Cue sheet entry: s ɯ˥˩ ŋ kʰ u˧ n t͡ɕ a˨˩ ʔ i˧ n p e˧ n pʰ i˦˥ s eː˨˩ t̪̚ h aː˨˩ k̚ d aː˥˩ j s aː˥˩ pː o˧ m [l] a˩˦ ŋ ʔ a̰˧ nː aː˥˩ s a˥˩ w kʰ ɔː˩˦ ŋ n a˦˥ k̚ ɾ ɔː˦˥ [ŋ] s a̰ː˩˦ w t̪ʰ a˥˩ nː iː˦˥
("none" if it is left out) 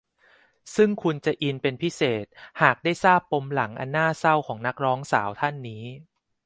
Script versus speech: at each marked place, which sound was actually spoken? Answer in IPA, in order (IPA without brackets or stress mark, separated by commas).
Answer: l, ŋ